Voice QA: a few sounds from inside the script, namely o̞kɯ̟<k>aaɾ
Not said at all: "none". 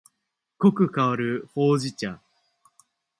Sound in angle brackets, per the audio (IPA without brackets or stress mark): k